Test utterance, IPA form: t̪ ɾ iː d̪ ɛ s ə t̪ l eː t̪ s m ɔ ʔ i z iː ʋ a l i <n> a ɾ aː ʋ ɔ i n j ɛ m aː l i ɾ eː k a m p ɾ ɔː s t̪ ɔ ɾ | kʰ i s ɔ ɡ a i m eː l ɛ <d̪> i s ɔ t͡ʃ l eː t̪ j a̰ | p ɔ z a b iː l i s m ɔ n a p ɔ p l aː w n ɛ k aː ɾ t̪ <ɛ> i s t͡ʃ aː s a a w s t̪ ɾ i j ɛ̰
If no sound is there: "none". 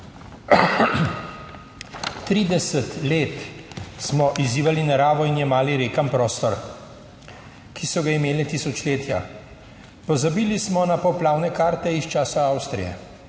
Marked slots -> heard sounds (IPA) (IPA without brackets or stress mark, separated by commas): n, t̪, ɛ